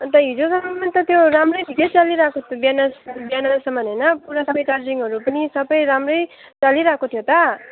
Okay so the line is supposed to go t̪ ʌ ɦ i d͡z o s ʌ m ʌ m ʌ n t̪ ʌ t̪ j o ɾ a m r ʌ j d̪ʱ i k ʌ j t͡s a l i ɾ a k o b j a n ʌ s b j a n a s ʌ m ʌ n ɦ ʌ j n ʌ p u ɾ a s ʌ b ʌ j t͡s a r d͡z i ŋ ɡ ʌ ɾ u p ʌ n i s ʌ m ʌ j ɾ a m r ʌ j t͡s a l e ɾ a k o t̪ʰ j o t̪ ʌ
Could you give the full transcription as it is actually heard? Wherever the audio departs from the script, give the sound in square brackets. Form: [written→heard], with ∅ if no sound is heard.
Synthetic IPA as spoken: t̪ ʌ ɦ i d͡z o s ʌ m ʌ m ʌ n t̪ ʌ t̪ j o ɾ a m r ʌ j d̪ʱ i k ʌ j t͡s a l i ɾ a k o b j a n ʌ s b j a n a s ʌ m ʌ n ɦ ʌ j n ʌ p u ɾ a s ʌ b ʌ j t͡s a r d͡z i ŋ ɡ ʌ ɾ u p ʌ n i s ʌ [m→b] ʌ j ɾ a m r ʌ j t͡s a l [e→i] ɾ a k o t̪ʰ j o t̪ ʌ